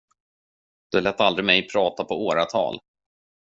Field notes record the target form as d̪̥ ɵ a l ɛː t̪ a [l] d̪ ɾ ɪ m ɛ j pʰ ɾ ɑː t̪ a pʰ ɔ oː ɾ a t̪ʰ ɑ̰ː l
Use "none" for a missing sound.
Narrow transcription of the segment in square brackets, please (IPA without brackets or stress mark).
l